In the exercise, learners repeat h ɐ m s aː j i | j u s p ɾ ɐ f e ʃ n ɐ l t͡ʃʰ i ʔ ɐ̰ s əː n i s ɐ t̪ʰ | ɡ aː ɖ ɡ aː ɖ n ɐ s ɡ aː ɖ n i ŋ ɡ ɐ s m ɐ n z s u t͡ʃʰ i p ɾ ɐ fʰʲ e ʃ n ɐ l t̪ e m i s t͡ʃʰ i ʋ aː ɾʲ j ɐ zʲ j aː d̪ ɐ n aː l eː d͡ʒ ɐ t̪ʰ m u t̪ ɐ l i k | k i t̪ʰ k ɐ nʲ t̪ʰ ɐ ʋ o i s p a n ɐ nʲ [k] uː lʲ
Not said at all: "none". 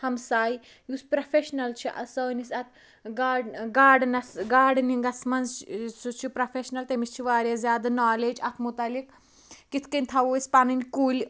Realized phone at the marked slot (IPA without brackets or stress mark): k